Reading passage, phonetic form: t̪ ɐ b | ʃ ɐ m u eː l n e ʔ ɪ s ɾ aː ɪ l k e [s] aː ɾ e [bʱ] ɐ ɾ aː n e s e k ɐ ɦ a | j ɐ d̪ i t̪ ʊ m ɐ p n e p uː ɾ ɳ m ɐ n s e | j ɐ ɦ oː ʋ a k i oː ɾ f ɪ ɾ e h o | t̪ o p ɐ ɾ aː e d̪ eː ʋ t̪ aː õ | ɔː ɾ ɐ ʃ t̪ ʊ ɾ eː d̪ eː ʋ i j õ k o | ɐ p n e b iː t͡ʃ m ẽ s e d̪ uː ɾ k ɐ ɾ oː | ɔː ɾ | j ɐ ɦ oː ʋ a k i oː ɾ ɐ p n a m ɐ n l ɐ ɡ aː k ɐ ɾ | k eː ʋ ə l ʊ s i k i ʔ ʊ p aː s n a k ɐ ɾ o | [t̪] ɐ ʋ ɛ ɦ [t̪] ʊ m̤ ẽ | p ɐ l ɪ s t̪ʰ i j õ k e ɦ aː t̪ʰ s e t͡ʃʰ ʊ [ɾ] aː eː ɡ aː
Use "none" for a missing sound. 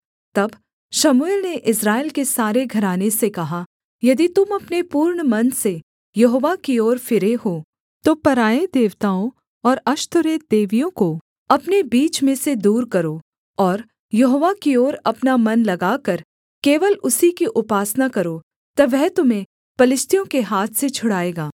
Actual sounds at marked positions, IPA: s, ɡʱ, t̪, t̪, ɽ

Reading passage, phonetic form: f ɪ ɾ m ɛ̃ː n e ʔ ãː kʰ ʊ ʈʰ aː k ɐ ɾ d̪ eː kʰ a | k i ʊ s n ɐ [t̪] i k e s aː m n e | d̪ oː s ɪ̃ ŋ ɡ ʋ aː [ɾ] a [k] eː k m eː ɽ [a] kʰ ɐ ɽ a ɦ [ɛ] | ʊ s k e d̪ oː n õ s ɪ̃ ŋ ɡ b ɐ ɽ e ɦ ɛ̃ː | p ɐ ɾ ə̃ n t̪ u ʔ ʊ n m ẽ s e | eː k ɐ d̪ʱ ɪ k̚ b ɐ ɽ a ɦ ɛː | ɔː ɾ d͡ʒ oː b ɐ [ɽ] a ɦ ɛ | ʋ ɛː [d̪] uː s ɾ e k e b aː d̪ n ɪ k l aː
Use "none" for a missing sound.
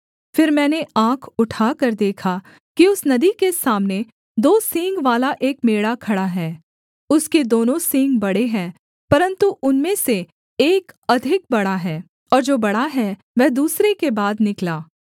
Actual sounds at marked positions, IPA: d̪, l, ʔ, a, ɛː, ɽ, d̪

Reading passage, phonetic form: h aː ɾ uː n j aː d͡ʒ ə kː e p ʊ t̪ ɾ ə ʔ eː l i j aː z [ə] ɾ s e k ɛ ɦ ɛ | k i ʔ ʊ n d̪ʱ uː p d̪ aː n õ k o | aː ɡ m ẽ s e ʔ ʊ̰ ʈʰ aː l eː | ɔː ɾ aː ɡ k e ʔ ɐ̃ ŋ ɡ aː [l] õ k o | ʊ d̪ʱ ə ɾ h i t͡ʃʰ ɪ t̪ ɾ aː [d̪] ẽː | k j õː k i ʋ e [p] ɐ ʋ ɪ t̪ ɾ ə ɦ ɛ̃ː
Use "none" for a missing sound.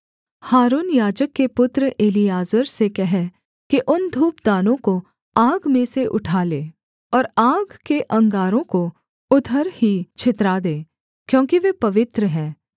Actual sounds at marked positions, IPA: ə, ɾ, d̪, p

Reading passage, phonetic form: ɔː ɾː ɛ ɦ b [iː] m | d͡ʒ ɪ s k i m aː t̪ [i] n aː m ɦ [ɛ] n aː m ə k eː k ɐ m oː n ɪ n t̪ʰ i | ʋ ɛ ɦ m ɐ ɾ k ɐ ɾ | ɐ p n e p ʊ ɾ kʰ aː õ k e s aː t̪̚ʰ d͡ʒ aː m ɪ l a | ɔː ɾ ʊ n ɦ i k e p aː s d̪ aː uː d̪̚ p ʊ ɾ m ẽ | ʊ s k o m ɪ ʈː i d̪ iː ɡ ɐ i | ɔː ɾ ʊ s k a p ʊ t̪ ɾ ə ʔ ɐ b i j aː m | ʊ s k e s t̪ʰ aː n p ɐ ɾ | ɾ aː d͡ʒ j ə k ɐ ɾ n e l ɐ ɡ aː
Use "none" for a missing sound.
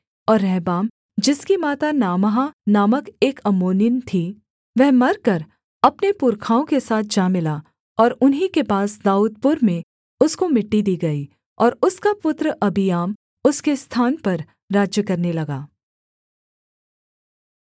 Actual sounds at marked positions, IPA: aː, a, a

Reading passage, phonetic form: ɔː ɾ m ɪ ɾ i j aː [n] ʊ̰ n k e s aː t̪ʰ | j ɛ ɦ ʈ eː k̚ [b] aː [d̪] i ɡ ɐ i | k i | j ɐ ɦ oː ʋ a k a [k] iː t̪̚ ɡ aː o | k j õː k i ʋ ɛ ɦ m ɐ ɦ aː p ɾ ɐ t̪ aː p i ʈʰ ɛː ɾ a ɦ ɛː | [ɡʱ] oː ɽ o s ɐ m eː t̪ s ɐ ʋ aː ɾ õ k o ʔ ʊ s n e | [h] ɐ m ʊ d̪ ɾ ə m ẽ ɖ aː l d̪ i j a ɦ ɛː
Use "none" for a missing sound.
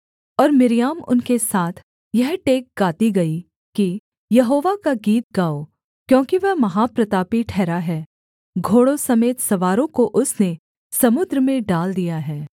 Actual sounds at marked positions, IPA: m, ɡ, t̪, ɡ, ɡʱ, s

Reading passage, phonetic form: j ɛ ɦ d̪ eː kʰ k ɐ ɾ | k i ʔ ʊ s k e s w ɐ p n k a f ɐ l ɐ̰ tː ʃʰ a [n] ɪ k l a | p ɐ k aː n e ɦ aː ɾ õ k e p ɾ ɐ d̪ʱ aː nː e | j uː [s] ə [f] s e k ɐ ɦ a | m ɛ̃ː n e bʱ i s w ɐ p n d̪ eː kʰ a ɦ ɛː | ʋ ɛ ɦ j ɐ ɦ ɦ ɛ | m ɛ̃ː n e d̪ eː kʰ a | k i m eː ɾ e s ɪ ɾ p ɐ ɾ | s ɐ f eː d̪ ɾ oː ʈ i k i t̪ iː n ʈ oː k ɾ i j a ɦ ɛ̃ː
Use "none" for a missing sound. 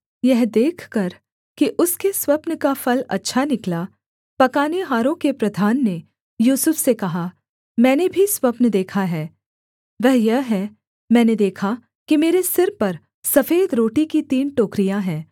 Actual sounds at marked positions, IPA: n, s, f

